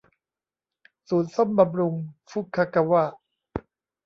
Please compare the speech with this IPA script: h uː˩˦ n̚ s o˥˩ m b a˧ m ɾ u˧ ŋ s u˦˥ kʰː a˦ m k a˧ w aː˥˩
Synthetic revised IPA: s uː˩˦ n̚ s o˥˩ m b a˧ m ɾ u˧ ŋ f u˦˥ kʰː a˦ k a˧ w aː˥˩